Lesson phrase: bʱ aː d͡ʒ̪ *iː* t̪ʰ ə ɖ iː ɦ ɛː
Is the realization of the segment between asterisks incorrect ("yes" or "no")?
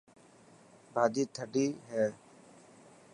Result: no